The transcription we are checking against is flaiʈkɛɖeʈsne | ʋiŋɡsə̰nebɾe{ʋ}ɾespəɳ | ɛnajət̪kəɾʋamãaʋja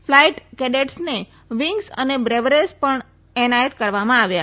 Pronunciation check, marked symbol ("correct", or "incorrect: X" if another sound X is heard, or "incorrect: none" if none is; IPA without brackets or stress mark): correct